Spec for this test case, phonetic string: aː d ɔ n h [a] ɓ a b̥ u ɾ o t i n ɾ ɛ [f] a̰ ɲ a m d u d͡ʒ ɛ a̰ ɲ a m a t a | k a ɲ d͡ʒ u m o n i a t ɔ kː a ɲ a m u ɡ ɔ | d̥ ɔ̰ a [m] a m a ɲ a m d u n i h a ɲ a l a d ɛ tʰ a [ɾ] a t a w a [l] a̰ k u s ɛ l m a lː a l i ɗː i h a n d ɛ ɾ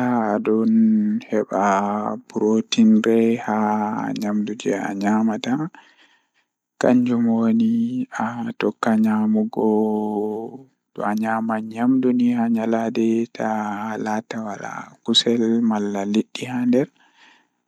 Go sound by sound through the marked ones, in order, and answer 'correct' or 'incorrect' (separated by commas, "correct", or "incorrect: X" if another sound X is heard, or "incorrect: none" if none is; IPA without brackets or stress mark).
incorrect: ɛ, incorrect: h, incorrect: ɲ, incorrect: l, correct